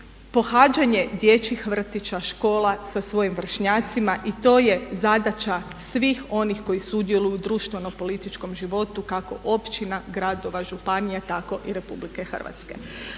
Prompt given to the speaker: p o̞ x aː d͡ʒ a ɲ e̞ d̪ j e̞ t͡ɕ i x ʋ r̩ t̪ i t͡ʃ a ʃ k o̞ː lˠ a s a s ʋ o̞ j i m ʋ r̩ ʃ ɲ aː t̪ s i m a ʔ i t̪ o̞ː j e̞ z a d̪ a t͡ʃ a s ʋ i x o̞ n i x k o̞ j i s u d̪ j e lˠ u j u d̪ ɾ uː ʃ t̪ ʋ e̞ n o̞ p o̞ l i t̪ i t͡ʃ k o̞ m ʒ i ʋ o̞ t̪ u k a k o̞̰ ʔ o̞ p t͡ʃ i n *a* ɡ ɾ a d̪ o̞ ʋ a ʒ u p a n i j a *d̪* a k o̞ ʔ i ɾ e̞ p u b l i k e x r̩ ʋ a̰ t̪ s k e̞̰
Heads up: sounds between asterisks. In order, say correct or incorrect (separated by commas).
correct, incorrect